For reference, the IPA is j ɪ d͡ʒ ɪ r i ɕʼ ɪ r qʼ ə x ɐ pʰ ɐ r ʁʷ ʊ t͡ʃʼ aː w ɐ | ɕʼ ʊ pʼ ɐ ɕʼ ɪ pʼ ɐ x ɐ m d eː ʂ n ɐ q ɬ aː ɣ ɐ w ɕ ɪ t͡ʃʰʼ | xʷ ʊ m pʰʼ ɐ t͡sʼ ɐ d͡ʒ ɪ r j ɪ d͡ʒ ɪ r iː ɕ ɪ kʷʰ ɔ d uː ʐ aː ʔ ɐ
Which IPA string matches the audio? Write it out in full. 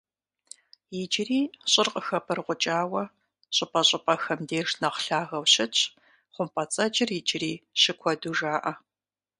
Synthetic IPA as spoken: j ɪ d͡ʒ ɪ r iː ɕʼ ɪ r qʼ ə x ɐ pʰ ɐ r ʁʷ ʊ t͡ʃʼ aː w ɐ | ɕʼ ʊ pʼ ɐ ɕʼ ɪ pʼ ɐ x ɐ m d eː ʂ n ɐ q ɬ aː ɣ ɐ w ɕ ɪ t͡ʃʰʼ | χʷ ʊ m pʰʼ ɐ t͡sʼ ɐ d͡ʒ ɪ r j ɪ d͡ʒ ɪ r iː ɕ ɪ kʷʰ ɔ d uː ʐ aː ʔ ɐ